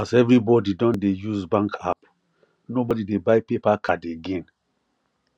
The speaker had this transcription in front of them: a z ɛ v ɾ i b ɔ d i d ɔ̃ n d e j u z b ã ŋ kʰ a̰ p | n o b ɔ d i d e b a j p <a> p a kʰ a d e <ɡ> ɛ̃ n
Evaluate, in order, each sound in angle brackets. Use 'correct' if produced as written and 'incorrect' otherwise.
incorrect, correct

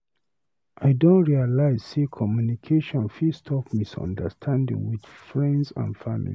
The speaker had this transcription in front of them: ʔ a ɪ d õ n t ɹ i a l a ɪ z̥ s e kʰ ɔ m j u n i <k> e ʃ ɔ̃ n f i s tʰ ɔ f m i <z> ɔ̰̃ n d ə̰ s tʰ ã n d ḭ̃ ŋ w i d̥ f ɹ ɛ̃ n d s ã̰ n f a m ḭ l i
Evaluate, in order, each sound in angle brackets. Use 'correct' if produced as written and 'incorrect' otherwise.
incorrect, incorrect

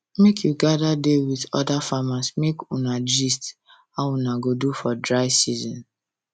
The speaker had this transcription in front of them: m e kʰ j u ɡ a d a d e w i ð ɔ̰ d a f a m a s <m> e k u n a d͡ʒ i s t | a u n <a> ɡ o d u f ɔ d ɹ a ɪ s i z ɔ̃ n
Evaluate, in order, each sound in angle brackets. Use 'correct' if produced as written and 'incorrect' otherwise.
correct, correct

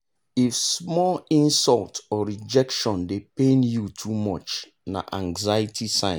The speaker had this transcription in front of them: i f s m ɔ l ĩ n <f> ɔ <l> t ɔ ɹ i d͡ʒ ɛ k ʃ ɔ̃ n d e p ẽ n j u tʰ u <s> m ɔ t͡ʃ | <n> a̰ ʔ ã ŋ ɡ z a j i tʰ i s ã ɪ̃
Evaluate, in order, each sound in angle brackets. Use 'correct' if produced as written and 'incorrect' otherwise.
incorrect, correct, incorrect, correct

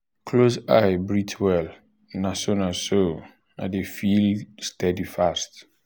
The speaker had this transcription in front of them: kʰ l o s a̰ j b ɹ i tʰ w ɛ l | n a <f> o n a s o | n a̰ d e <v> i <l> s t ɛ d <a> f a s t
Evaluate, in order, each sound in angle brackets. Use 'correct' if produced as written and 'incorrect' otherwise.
incorrect, incorrect, correct, incorrect

